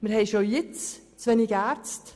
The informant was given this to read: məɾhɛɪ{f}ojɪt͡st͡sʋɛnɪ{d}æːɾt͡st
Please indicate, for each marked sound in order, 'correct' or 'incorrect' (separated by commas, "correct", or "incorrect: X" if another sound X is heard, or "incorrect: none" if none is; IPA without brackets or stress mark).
incorrect: ʃ, incorrect: ɡ